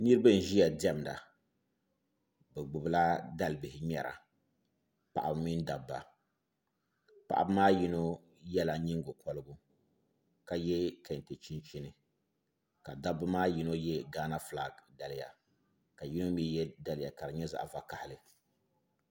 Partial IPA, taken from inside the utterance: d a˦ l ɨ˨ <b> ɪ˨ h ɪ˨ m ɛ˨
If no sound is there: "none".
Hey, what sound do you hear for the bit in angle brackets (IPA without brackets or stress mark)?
b